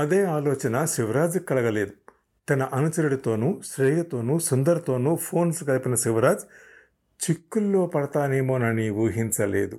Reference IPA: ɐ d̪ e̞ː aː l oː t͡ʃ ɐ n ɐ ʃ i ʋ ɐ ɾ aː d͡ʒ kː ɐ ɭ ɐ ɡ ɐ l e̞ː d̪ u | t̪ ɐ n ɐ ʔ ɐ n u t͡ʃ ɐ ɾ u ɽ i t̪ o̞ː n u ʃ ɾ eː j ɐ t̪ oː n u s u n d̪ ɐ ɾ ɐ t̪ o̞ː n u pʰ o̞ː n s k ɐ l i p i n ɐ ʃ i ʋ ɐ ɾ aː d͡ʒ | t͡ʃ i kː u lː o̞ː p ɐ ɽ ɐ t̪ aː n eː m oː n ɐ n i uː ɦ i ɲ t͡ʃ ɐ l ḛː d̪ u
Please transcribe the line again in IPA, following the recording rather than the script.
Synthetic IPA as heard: ɐ d̪ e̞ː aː l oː t͡ʃ ɐ n ɐ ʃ i ʋ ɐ ɾ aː d͡ʒ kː ɐ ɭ ɐ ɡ ɐ l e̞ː d̪ u | t̪ ɐ n ɐ ʔ ɐ n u t͡ʃ ɐ ɾ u ɽ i t̪ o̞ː n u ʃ ɾ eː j ɐ t̪ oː n u s u n d̪ ɐ ɾ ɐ t̪ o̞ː n u pʰ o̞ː n s k ɐ l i p i n ɐ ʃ i ʋ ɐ ɾ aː d͡ʒ | t͡ʃ i kː u lː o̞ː p ɐ ɽ ɐ t̪ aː n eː m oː n ɐ n i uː ɦ i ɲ t͡ʃ ɐ l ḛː d̪ u